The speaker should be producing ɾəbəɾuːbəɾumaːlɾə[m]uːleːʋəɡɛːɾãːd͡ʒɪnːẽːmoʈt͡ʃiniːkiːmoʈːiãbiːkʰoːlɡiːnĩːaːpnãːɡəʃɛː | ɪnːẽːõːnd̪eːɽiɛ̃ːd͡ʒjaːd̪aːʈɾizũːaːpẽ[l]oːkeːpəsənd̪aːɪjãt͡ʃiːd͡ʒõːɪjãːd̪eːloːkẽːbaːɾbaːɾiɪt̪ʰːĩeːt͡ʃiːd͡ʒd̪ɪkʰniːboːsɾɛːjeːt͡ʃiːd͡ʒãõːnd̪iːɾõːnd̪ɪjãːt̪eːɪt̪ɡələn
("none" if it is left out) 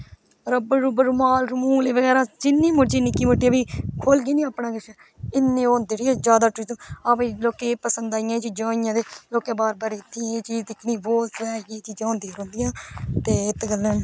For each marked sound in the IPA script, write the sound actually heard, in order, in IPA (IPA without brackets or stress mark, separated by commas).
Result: m, l